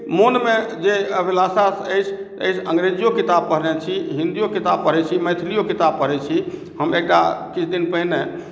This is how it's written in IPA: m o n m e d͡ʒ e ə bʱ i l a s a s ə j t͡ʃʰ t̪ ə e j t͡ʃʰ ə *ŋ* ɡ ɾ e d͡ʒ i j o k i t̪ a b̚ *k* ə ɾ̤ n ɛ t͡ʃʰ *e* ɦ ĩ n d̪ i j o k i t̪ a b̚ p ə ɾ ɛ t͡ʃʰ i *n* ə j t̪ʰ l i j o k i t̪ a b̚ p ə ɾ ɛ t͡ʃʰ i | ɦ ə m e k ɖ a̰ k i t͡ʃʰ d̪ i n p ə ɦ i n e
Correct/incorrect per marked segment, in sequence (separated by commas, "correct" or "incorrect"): correct, incorrect, incorrect, incorrect